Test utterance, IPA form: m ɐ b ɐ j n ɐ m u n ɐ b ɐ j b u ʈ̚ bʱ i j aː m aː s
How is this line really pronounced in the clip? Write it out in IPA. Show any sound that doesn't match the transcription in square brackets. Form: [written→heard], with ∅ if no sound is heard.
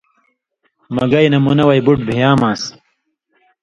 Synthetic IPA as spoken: m ɐ [b→ɡ] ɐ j n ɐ m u n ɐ [b→w] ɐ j b u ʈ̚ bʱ i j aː m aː s